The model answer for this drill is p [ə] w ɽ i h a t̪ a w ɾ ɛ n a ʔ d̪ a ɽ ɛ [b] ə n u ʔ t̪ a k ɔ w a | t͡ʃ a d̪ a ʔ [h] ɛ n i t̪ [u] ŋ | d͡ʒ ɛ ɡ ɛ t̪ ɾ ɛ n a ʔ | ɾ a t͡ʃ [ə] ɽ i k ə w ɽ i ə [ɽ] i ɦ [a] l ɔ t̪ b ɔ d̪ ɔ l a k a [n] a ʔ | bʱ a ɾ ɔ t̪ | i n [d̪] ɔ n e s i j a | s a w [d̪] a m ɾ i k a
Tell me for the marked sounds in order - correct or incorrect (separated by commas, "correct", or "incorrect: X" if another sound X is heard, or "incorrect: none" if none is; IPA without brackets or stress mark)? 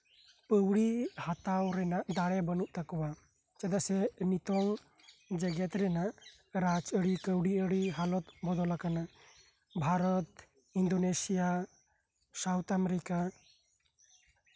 correct, correct, incorrect: s, incorrect: ɔ, correct, correct, correct, correct, correct, incorrect: t̪